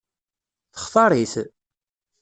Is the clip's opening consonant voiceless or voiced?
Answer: voiceless